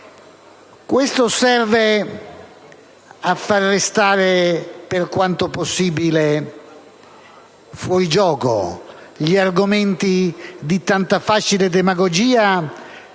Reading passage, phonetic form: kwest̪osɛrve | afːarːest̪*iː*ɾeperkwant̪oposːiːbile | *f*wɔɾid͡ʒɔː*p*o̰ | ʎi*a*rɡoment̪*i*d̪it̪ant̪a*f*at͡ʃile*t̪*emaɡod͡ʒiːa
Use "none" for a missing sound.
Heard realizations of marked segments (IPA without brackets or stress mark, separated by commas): aː, f, k, a, i, f, d̪